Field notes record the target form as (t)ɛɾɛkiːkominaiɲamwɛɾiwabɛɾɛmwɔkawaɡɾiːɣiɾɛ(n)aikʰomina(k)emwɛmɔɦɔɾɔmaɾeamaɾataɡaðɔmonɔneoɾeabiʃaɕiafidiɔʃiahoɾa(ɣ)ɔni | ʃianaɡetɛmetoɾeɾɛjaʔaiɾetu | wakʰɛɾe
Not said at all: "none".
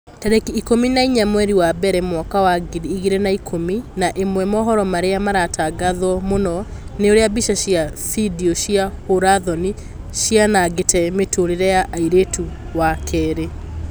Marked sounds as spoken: t, n, ʔ, ð

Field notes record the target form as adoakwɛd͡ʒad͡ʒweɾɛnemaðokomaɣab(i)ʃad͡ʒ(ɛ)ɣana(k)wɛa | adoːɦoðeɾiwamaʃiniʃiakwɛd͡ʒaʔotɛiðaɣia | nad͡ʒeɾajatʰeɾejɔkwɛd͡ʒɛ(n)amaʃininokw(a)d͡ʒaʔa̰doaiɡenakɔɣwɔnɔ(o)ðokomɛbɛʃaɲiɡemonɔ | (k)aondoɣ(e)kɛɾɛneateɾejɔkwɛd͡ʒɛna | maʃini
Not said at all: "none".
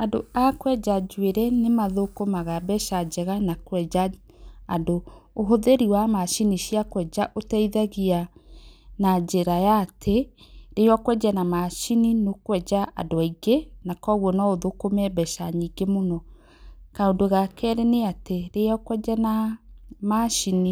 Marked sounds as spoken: ɛ, ɛ, k, n, ɛ, o, k, a

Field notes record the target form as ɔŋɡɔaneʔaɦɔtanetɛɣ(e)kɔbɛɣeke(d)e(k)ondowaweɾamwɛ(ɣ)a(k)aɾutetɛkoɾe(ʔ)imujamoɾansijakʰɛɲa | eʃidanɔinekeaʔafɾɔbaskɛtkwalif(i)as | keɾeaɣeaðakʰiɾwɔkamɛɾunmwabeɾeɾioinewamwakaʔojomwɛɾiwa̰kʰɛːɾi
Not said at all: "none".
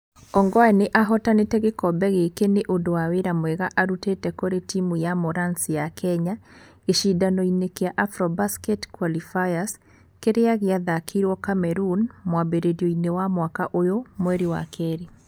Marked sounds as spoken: e, n, ʔ, ɣ, ʔ, t, a

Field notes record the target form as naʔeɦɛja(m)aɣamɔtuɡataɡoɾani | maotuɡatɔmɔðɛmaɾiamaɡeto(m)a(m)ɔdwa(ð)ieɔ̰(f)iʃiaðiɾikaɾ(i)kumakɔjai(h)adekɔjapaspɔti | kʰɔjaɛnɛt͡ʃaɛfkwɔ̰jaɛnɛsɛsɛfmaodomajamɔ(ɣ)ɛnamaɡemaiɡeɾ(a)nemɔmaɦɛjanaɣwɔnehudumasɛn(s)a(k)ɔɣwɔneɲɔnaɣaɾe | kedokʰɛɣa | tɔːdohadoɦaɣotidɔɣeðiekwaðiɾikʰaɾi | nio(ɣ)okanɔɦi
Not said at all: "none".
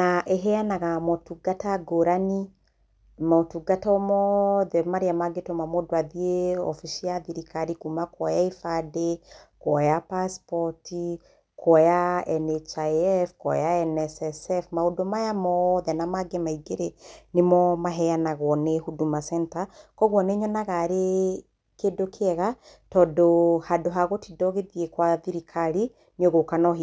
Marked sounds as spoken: n, m, m, ð, f, i, f, ð, e, t, k, ɣ

